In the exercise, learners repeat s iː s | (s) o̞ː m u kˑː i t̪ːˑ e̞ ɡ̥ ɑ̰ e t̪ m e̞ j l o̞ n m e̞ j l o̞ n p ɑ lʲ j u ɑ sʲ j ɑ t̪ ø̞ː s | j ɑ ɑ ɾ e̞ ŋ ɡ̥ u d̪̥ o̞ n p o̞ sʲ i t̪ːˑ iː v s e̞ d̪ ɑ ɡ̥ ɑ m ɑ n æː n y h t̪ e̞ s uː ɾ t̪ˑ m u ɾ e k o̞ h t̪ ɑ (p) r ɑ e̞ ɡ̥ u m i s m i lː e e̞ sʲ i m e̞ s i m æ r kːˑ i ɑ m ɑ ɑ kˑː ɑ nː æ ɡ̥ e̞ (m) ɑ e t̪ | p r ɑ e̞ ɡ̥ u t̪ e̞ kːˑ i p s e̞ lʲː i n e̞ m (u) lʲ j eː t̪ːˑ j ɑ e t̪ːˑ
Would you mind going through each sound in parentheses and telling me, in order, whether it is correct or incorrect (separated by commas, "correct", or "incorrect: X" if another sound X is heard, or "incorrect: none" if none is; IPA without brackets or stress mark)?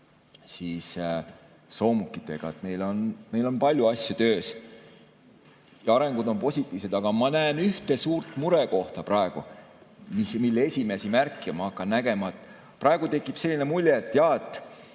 correct, correct, correct, correct